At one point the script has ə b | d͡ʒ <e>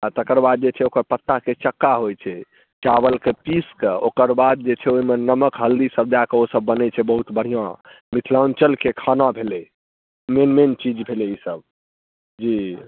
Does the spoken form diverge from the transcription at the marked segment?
yes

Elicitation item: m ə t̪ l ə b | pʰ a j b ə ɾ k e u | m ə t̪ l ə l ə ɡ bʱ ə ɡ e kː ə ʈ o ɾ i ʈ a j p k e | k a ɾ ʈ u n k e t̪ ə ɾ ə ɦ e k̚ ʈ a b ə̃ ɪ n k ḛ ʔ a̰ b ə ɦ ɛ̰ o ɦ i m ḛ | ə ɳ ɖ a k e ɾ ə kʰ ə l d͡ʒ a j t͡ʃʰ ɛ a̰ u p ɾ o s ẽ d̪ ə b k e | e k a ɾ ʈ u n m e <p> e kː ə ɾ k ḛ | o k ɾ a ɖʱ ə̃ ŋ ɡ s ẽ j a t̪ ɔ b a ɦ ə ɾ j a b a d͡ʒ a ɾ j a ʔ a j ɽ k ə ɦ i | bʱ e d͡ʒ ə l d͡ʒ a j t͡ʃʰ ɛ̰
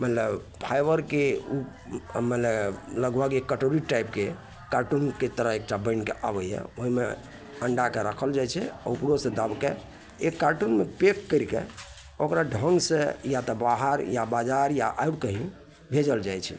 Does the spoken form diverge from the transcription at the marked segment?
no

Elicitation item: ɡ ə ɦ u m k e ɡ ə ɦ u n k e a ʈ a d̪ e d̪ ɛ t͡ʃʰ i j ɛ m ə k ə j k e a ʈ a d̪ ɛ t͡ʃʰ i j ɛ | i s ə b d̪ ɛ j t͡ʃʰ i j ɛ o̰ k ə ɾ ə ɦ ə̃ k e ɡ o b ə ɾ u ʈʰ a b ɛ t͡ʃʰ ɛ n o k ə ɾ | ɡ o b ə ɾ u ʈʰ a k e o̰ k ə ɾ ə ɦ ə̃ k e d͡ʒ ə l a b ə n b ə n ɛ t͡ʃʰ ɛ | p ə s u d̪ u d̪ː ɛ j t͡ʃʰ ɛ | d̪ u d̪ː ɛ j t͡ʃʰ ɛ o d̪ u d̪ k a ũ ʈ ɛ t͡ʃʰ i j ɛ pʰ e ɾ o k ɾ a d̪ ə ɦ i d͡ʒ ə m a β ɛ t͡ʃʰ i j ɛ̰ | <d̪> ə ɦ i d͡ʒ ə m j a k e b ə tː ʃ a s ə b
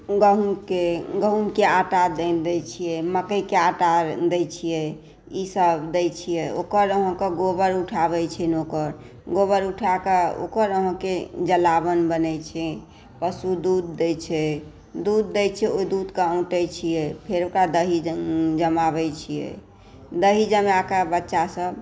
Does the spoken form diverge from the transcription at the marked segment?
no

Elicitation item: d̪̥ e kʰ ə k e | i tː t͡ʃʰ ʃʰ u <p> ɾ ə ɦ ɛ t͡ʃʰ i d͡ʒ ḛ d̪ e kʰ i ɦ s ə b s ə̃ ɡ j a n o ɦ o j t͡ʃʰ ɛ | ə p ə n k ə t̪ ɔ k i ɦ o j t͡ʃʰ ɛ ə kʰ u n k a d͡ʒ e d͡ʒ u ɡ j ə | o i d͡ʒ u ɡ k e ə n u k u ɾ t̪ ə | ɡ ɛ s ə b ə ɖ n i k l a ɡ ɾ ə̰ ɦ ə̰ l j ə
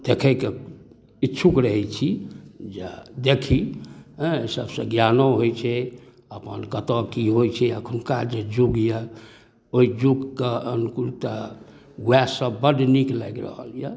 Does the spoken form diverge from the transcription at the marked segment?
yes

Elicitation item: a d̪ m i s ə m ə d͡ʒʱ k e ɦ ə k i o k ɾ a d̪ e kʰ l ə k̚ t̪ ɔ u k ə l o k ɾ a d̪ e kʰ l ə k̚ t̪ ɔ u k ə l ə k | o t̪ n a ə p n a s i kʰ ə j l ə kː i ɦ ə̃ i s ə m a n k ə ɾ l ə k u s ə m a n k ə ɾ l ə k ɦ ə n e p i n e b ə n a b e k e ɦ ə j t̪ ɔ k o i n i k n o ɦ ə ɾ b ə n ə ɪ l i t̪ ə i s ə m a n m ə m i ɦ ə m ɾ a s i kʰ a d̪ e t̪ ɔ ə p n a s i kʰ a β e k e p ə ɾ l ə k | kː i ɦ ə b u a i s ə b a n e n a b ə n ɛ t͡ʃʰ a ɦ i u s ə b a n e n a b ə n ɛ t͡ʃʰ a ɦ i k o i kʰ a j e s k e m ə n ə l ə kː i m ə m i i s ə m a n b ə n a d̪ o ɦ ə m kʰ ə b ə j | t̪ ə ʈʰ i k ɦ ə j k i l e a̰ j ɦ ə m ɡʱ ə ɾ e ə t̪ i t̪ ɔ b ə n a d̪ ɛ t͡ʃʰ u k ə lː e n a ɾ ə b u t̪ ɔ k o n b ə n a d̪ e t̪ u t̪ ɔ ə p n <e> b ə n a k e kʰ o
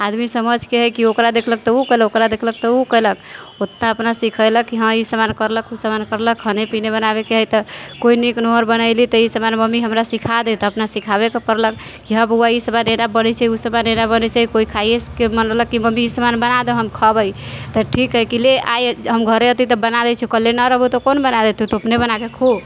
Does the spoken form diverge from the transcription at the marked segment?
no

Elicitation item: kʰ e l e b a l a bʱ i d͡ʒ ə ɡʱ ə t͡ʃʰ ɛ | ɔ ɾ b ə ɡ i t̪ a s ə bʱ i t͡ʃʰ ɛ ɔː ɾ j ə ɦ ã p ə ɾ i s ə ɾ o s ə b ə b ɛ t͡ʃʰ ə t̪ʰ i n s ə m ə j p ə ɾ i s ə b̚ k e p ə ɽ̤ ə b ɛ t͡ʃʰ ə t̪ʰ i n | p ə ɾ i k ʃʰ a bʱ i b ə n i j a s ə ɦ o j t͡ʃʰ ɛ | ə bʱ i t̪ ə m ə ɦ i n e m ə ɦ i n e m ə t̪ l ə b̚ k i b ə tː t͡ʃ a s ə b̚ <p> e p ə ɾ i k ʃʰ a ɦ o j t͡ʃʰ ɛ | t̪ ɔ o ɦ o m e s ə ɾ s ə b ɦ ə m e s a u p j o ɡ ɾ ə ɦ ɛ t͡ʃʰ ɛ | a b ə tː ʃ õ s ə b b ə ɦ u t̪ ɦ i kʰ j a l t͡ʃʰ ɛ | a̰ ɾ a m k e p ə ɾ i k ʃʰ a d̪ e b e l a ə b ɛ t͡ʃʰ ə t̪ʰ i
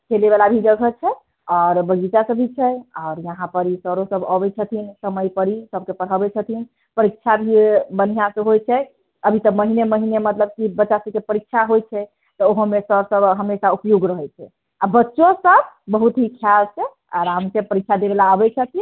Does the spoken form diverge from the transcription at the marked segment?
yes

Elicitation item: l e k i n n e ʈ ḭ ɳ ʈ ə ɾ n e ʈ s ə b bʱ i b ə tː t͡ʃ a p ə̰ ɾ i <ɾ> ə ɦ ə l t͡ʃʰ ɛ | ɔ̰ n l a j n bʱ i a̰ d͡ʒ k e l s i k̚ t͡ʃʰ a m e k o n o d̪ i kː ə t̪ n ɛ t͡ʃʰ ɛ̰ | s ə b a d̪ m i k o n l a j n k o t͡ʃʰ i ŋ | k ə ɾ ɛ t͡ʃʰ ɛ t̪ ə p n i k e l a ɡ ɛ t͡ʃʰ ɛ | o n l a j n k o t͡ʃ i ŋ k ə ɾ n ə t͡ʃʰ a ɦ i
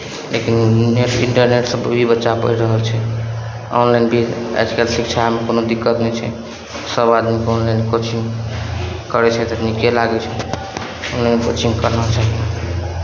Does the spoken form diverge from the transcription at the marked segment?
no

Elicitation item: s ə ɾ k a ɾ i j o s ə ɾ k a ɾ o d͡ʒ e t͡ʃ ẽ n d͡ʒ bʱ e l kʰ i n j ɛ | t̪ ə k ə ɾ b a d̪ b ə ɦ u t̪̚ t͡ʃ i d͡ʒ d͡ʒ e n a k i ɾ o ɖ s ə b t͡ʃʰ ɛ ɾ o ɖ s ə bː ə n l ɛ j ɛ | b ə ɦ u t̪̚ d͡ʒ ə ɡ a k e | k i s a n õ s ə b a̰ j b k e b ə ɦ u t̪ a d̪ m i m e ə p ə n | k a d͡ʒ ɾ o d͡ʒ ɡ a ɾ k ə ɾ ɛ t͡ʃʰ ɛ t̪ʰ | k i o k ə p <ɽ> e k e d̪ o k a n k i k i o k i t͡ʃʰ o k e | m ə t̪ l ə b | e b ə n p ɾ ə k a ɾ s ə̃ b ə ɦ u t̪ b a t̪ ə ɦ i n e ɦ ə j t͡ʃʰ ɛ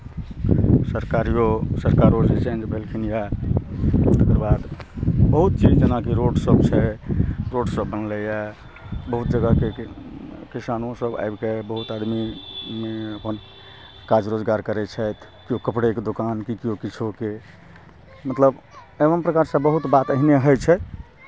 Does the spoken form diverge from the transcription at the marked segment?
no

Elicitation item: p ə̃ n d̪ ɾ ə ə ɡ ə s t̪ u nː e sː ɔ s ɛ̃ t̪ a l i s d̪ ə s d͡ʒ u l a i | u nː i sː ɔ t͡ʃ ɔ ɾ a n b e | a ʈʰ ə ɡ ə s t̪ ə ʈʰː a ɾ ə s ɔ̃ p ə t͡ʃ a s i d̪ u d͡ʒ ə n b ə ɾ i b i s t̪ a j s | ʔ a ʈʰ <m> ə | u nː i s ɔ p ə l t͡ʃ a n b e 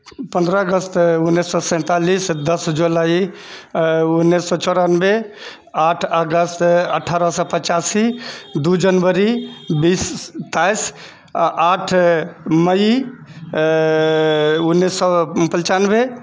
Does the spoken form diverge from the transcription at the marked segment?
no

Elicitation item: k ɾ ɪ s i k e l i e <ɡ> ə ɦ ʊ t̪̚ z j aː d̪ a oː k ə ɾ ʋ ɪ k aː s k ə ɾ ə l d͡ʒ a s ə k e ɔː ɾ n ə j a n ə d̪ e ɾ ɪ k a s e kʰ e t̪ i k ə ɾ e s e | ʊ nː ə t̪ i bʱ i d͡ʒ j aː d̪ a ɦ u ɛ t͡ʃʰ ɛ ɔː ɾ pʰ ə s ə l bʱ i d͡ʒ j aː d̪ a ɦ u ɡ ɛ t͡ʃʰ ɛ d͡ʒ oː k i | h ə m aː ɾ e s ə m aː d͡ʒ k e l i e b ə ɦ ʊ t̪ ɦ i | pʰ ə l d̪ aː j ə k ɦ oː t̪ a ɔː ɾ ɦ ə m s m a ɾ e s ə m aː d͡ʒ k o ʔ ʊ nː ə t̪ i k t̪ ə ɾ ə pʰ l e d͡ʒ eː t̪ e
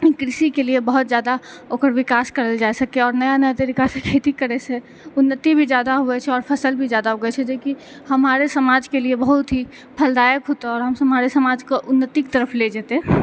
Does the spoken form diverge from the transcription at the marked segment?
yes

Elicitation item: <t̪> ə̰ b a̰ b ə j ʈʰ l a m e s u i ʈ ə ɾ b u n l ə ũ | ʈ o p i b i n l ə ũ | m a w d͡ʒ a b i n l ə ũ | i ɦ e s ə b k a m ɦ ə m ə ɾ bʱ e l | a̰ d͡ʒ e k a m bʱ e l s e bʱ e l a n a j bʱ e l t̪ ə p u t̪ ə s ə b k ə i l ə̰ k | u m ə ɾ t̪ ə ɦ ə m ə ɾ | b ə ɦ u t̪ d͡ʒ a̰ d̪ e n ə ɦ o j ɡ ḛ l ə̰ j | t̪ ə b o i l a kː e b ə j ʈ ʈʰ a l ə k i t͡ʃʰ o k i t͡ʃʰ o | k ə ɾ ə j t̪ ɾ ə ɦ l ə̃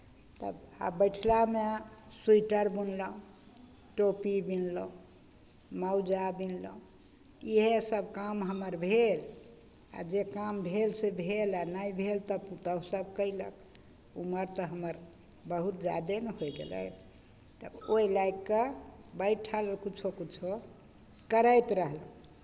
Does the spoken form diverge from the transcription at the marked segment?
no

